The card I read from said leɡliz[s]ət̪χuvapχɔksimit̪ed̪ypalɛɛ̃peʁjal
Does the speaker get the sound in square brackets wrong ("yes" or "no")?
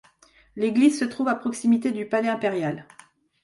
no